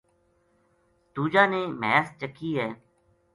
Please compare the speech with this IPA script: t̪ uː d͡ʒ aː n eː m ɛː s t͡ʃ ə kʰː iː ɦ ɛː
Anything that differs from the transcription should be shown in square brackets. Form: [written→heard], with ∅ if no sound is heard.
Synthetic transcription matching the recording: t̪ uː d͡ʒ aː n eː m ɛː s t͡ʃ ə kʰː iː ɦ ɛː